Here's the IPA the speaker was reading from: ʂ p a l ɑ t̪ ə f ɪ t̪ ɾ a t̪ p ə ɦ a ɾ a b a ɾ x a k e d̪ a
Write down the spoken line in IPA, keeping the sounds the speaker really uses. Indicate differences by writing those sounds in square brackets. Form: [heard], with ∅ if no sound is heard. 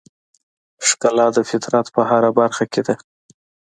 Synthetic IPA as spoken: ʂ [k] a l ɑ [d̪] ə f ɪ t̪ ɾ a t̪ p ə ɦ a ɾ a b a ɾ x a k e d̪ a